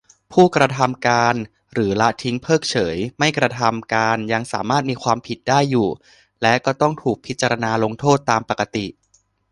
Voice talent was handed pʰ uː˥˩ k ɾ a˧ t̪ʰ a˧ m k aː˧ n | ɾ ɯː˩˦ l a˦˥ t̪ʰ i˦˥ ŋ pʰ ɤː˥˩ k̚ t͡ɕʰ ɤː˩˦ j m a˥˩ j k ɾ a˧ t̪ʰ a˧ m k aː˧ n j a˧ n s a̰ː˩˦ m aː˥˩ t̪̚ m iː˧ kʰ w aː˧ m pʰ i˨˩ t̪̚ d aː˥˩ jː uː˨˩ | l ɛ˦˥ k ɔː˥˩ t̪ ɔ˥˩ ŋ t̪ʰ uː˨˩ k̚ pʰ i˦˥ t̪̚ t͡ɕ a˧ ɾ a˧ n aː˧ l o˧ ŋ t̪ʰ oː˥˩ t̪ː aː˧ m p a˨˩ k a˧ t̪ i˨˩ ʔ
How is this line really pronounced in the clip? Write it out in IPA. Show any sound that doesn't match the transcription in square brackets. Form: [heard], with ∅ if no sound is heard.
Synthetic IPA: pʰ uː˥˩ k ɾ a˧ t̪ʰ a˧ m k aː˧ n | ɾ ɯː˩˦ l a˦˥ t̪ʰ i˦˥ ŋ pʰ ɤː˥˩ k̚ t͡ɕʰ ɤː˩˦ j m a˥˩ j k ɾ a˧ t̪ʰ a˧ m k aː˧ n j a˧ [ŋ] s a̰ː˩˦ m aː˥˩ t̪̚ m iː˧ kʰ w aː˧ m pʰ i˨˩ t̪̚ d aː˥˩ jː uː˨˩ | l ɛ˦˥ k ɔː˥˩ t̪ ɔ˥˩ ŋ t̪ʰ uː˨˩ k̚ pʰ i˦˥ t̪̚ t͡ɕ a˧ ɾ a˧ n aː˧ l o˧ ŋ t̪ʰ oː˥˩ t̪ː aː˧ m p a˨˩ k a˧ t̪ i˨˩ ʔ